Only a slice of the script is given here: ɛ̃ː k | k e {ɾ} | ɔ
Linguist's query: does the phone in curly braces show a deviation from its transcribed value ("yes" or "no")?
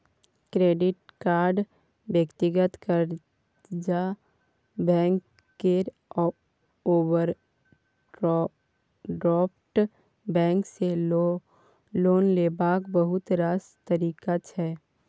no